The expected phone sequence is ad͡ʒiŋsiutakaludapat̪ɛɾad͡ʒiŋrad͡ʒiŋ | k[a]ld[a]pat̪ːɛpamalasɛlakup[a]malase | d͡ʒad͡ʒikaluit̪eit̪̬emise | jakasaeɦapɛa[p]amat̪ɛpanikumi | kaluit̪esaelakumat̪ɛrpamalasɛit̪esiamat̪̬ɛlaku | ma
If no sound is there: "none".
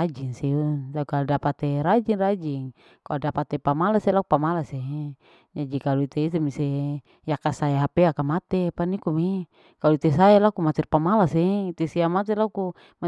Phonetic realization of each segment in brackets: a, a, a, k

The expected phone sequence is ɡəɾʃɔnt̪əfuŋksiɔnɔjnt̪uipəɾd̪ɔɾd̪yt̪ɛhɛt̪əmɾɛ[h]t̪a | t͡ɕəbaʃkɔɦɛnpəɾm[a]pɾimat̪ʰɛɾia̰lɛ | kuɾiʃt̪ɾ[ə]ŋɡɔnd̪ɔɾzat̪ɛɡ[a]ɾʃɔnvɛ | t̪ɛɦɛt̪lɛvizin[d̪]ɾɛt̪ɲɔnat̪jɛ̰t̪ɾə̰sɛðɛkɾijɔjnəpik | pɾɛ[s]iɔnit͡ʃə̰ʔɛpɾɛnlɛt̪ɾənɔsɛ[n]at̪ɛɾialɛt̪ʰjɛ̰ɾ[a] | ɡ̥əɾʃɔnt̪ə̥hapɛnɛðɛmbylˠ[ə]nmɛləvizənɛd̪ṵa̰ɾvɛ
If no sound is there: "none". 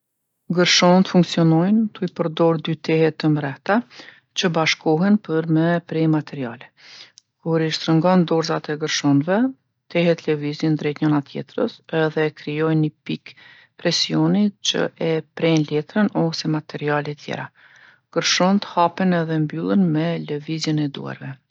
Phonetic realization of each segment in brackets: h, ɛ, ə, ə, d̪, s, m, a, ə

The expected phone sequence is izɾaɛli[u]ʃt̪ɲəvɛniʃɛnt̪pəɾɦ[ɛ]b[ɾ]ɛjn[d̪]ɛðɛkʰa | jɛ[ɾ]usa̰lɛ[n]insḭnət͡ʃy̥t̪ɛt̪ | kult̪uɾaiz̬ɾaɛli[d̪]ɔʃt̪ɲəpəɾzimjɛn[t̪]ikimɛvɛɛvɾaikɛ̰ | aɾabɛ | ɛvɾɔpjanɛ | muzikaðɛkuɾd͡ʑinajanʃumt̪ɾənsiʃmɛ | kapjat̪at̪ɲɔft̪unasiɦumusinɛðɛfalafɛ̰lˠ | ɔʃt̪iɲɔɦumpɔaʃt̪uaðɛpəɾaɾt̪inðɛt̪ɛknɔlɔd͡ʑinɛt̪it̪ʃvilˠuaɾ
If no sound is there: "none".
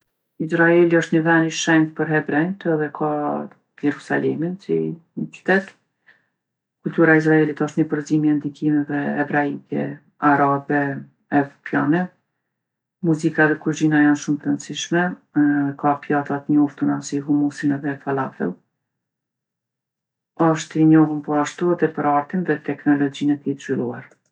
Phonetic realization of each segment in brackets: ɔ, ɛ, ɾ, t̪, ɾ, m, t̪, d̪

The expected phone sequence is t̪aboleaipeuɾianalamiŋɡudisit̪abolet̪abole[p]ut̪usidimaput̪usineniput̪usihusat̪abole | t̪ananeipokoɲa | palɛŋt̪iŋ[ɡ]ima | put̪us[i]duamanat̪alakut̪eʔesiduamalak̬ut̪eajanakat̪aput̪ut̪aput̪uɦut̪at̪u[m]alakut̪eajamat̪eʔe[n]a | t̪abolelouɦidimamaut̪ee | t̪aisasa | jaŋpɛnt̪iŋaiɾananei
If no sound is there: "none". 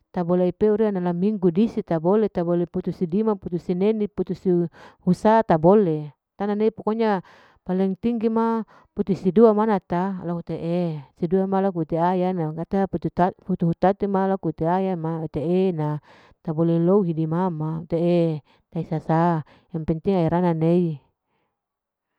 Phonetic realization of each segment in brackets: p, ɡ, i, m, n

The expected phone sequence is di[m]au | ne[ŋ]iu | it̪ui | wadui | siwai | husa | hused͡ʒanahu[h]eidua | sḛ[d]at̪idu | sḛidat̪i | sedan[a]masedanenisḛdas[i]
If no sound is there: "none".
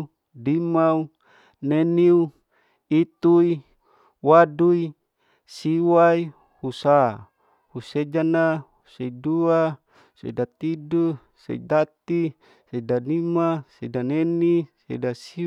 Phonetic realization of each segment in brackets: m, n, s, d, i, i

